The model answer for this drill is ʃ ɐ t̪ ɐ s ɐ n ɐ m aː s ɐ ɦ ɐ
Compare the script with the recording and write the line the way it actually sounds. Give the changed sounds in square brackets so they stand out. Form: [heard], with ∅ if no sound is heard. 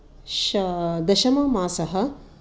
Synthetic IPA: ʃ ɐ [d̪] ɐ [ʃ] ɐ [m] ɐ m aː s ɐ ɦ ɐ